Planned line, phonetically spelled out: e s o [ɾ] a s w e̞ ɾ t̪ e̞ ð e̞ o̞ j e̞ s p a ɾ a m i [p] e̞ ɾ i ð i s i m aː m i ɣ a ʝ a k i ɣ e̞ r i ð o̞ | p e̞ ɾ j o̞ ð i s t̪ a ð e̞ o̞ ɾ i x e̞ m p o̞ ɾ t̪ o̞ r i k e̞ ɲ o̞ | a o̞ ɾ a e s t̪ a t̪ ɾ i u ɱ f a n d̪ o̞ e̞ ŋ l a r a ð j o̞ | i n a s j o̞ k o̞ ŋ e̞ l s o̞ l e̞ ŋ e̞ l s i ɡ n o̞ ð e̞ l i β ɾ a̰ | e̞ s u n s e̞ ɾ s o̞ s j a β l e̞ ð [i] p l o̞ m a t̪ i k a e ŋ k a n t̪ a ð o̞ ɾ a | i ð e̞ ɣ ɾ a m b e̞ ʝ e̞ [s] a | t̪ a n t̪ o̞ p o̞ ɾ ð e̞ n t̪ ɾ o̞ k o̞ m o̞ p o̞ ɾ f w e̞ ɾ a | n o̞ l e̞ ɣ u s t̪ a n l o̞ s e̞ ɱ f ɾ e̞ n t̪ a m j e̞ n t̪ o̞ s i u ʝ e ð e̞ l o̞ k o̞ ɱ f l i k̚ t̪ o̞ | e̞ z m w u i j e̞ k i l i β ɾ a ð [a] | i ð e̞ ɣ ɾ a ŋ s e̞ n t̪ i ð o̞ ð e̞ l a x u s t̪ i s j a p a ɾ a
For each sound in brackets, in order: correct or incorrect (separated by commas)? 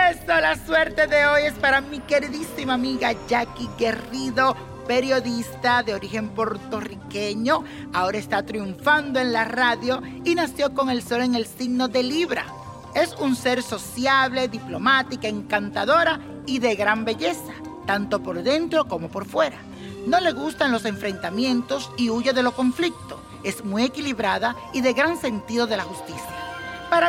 incorrect, incorrect, correct, correct, correct